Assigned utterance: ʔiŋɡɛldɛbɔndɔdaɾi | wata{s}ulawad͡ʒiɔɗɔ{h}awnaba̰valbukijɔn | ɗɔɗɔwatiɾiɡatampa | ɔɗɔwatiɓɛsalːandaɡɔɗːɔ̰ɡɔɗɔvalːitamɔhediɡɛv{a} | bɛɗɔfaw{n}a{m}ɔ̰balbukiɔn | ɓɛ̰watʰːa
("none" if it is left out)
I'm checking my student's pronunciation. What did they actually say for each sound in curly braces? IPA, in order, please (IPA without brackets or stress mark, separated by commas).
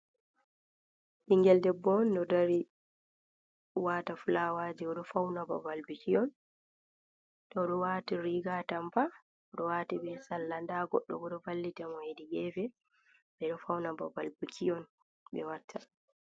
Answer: f, f, ɛ, n, b